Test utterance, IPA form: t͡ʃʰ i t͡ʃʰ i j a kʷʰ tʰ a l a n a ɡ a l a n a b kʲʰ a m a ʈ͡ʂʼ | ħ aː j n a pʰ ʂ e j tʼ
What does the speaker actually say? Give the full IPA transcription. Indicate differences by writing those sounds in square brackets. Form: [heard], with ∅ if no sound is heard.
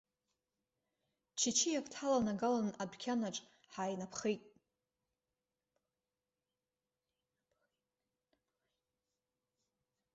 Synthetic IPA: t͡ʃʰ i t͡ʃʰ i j a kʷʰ tʰ a l a n a ɡ a l a n a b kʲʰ a [n] a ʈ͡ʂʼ | ħ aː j n a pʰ [χ] e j tʼ